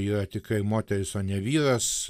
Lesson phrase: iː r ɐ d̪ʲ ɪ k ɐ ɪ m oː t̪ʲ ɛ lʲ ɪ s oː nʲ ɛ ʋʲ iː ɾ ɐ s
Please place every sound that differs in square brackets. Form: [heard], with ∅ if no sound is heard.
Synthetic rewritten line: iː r ɐ [t̪ʲ] ɪ k ɐ ɪ m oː t̪ʲ ɛ [ɾʲ] ɪ s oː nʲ ɛ ʋʲ iː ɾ ɐ s

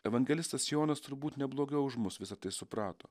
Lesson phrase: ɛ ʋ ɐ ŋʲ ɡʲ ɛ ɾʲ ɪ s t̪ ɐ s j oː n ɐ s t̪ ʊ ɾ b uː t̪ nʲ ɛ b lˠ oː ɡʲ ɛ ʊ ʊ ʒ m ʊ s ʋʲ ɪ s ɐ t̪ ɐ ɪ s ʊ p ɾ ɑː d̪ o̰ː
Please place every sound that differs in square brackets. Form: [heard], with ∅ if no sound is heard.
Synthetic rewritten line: ɛ ʋ ɐ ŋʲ ɡʲ ɛ [lʲ] ɪ s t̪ ɐ s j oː n ɐ s t̪ ʊ ɾ b uː t̪ nʲ ɛ b lˠ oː ɡʲ ɛ ʊ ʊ ʒ m ʊ s ʋʲ ɪ s ɐ t̪ ɐ ɪ s ʊ p ɾ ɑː [t̪] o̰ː

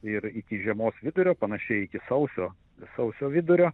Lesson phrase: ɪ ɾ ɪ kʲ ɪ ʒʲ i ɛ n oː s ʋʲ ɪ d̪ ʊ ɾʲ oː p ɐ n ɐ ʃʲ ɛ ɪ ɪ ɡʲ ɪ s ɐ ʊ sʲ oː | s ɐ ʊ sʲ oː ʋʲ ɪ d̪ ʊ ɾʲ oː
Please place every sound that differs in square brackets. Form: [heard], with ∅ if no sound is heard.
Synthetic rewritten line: ɪ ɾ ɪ kʲ ɪ ʒʲ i ɛ [m] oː s ʋʲ ɪ d̪ ʊ ɾʲ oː p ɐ n ɐ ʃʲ ɛ ɪ ɪ [kʲ] ɪ s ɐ ʊ sʲ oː | s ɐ ʊ sʲ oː ʋʲ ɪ d̪ ʊ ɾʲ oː

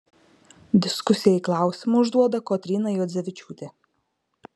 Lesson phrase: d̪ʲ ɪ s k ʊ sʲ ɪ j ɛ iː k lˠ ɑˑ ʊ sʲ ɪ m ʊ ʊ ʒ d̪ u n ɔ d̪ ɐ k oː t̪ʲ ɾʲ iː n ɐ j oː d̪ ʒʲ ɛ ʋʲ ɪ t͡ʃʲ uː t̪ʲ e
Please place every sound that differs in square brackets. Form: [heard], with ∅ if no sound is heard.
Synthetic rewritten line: d̪ʲ ɪ s k ʊ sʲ ɪ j ɛ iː k lˠ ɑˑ ʊ sʲ ɪ m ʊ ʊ ʒ d̪ u [∅] ɔ d̪ ɐ k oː t̪ʲ ɾʲ iː n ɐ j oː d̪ [zʲ] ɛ ʋʲ ɪ t͡ʃʲ uː t̪ʲ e

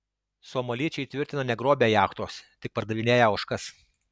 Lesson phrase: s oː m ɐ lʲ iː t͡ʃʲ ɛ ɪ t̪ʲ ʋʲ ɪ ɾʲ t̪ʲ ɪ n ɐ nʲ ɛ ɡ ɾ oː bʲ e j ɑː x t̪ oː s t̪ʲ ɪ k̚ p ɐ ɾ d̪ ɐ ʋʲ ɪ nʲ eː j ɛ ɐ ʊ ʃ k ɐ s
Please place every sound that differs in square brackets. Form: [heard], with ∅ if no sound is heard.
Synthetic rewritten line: s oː m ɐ lʲ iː t͡ʃʲ ɛ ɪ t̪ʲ ʋʲ ɪ ɾʲ t̪ʲ ɪ n ɐ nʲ ɛ ɡ ɾ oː bʲ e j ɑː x t̪ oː s t̪ʲ ɪ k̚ p ɐ ɾ d̪ ɐ ʋʲ ɪ nʲ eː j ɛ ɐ ʊ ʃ k ɐ s

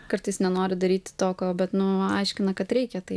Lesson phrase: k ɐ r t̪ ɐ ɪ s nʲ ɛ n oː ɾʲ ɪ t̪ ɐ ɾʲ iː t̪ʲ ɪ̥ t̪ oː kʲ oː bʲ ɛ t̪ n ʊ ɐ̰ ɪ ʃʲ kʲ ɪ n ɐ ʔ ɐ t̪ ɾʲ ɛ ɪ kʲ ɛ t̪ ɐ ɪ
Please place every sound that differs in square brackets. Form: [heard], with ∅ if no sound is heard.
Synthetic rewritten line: k ɐ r t̪ ɐ ɪ s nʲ ɛ n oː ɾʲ ɪ [d̪] ɐ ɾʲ iː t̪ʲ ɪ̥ t̪ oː kʲ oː bʲ ɛ t̪ n ʊ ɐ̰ ɪ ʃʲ kʲ ɪ n ɐ [k] ɐ t̪ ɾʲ ɛ ɪ kʲ ɛ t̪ ɐ ɪ

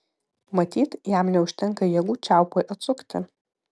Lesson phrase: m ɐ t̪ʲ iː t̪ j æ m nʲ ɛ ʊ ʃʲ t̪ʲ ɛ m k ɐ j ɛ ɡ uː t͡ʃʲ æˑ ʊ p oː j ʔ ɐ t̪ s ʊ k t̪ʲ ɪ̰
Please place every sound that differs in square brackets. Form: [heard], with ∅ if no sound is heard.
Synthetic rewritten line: m ɐ t̪ʲ iː t̪ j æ m nʲ ɛ ʊ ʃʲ t̪ʲ ɛ [ŋ] k ɐ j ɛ ɡ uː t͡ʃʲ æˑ ʊ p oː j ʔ ɐ t̪ s ʊ k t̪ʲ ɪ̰

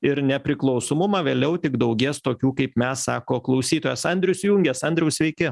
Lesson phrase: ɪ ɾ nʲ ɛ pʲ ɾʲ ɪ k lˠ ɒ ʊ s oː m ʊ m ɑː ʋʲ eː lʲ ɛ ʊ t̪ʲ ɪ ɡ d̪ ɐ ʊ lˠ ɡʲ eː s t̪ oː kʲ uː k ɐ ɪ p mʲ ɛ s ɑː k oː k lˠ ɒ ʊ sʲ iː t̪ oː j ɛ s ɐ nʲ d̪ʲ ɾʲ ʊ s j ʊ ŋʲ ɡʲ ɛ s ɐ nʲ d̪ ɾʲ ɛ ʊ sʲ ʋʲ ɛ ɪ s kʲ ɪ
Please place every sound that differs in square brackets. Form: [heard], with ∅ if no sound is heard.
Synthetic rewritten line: ɪ ɾ nʲ ɛ pʲ ɾʲ ɪ k lˠ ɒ ʊ s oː m ʊ m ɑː ʋʲ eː lʲ ɛ ʊ t̪ʲ ɪ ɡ d̪ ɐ ʊ [∅] ɡʲ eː s t̪ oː kʲ uː k ɐ ɪ p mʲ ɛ s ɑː k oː k lˠ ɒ ʊ sʲ iː t̪ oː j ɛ s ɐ nʲ d̪ʲ ɾʲ ʊ s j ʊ ŋʲ ɡʲ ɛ s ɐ nʲ d̪ ɾʲ ɛ ʊ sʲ ʋʲ ɛ ɪ [∅] kʲ ɪ

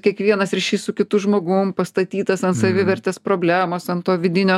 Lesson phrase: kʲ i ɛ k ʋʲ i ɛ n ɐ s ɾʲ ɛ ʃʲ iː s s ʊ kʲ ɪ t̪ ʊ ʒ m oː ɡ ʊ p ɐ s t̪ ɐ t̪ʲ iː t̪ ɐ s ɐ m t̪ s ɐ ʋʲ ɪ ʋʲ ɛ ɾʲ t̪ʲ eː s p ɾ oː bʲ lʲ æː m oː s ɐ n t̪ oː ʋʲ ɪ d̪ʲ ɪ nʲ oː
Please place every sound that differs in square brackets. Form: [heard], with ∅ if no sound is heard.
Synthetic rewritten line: kʲ i ɛ k ʋʲ i ɛ n ɐ s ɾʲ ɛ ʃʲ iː s s ʊ kʲ ɪ t̪ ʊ ʒ m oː ɡ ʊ p ɐ s t̪ ɐ t̪ʲ iː t̪ ɐ s ɐ [n] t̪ s ɐ ʋʲ ɪ ʋʲ ɛ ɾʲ t̪ʲ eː s p ɾ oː bʲ lʲ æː m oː s ɐ n t̪ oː ʋʲ ɪ d̪ʲ ɪ nʲ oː

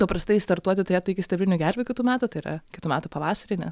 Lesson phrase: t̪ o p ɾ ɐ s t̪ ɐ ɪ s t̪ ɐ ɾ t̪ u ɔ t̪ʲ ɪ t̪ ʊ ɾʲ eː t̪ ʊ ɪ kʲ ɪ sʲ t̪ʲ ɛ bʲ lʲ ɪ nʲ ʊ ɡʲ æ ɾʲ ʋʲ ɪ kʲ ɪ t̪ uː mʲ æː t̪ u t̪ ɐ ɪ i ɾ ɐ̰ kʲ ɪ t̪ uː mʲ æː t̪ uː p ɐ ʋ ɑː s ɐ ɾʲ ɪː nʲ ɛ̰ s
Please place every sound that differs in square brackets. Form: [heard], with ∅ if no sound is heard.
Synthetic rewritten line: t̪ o p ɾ ɐ s t̪ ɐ ɪ s t̪ ɐ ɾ t̪ u ɔ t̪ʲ ɪ t̪ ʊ ɾʲ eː t̪ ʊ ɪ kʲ ɪ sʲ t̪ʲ ɛ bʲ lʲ ɪ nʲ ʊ ɡʲ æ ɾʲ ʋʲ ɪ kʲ ɪ t̪ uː mʲ æː t̪ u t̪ ɐ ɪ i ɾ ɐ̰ kʲ ɪ t̪ uː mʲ æː t̪ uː p ɐ ʋ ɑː s ɐ ɾʲ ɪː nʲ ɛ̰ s

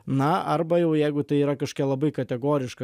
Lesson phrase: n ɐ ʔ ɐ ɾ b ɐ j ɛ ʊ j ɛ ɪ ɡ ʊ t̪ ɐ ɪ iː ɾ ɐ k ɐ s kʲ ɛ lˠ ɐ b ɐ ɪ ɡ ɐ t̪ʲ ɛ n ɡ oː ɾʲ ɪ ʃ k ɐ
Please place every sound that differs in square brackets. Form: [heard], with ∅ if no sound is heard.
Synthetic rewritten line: n ɐ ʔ ɐ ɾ b ɐ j ɛ ʊ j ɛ ɪ ɡ ʊ t̪ ɐ ɪ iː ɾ ɐ k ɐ [ʃ] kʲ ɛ lˠ ɐ b ɐ ɪ [k] ɐ t̪ʲ ɛ [∅] ɡ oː ɾʲ ɪ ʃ k ɐ

